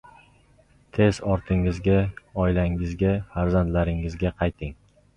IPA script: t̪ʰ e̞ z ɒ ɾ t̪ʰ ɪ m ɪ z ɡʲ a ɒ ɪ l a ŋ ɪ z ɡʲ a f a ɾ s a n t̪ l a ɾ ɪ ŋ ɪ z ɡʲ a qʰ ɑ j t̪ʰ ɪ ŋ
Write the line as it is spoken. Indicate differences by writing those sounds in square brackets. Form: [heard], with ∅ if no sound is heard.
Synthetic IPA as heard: t̪ʰ e̞ z ɒ ɾ t̪ʰ ɪ [ŋ] ɪ z ɡʲ a ɒ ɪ l a ŋ ɪ z ɡʲ a f a ɾ [z] a n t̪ l a ɾ ɪ ŋ ɪ z ɡʲ a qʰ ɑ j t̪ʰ ɪ ŋ